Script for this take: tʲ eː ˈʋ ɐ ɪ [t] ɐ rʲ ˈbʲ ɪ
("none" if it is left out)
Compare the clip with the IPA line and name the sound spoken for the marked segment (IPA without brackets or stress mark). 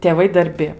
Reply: d